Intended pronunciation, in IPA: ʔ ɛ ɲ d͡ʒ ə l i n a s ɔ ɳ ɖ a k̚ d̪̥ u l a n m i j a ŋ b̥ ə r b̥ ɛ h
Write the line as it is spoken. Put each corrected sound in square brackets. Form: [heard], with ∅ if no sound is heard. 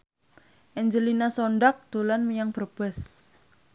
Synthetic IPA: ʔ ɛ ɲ d͡ʒ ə l i n a s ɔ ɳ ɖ a k̚ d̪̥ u l a n m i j a ŋ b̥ ə r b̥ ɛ [s]